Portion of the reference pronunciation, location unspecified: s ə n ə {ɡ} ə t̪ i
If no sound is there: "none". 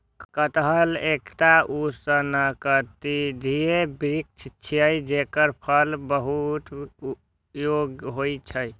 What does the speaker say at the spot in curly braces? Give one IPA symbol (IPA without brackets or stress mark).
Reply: k